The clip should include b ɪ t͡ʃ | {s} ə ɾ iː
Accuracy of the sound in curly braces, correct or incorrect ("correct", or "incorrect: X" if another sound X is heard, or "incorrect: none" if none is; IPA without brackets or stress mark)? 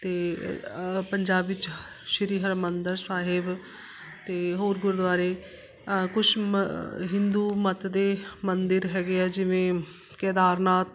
incorrect: ʃ